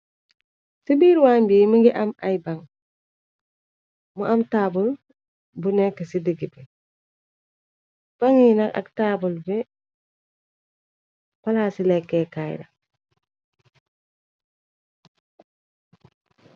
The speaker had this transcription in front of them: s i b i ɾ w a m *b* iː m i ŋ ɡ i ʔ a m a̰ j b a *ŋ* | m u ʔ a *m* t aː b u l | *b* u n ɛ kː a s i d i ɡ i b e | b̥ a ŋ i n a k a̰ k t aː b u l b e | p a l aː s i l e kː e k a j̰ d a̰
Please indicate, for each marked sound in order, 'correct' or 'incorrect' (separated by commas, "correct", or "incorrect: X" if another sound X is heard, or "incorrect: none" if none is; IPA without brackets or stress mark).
correct, correct, correct, correct